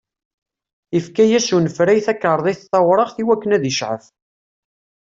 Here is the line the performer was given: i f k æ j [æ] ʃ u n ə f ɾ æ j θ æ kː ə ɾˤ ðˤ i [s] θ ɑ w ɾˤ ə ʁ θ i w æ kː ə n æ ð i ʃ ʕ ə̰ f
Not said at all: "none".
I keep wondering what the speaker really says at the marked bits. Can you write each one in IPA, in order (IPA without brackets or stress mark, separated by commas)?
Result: æ, θ